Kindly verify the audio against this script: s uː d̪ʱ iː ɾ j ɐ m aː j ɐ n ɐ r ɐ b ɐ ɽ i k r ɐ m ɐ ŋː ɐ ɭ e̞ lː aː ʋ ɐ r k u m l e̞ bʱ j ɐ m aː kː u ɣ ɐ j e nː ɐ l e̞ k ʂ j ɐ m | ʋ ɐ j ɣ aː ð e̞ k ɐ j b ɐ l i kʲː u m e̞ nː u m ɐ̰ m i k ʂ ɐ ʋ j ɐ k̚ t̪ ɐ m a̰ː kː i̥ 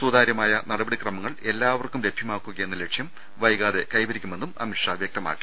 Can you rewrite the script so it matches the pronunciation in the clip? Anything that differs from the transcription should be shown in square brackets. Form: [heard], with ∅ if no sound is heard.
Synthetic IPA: s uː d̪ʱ [aː] ɾ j ɐ m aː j ɐ n ɐ [ɽ] ɐ b ɐ ɽ i k r ɐ m ɐ ŋː ɐ ɭ e̞ lː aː ʋ ɐ r k u m l e̞ bʱ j ɐ m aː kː u ɣ ɐ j e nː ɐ l e̞ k ʂ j ɐ m | ʋ ɐ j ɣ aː ð e̞ k ɐ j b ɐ [ɾ] i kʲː u m e̞ nː u m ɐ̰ m i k ʂ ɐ ʋ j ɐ k̚ t̪ ɐ m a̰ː kː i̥